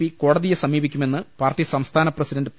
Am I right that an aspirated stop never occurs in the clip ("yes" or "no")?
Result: no